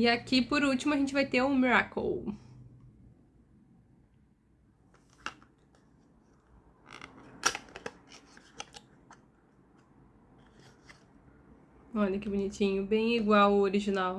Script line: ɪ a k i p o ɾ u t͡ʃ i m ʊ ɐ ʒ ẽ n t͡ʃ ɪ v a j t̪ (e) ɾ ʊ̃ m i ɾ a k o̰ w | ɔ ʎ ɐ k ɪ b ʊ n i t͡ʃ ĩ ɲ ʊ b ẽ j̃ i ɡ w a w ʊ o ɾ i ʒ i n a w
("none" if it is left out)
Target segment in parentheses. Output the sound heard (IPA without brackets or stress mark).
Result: e